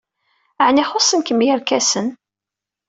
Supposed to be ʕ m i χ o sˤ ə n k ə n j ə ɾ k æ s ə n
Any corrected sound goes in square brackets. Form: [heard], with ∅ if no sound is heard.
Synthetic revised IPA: ʕ [n] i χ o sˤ ə n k ə [m] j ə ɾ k æ s ə n